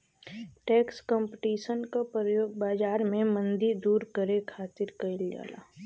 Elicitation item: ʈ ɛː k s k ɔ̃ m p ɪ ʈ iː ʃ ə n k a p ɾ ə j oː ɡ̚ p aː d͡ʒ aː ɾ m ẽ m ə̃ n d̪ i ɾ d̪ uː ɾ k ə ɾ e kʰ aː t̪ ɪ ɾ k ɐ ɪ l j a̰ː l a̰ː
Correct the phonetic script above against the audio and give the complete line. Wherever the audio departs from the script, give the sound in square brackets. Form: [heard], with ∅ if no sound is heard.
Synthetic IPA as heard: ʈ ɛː k s k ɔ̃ m p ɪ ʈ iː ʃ ə n k a p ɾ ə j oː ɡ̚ [b] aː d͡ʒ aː ɾ m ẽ m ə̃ n d̪ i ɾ d̪ uː ɾ k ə ɾ e kʰ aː t̪ ɪ ɾ k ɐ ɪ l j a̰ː l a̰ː